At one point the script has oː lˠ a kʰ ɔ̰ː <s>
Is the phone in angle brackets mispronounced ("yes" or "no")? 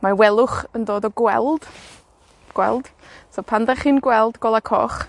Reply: yes